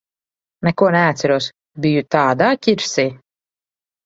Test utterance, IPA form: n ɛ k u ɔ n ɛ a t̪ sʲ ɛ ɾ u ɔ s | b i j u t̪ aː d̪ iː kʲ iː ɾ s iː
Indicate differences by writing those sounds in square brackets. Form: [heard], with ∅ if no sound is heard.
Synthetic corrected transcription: n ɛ k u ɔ n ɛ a t̪ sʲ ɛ ɾ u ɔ s | b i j u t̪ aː d̪ [aː] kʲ [i] ɾ s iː